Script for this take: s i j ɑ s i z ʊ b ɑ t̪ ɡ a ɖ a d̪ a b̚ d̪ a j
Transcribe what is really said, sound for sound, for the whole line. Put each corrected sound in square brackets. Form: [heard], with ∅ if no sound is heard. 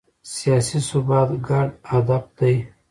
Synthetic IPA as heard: s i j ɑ s i [s] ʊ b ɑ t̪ ɡ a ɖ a d̪ a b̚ d̪ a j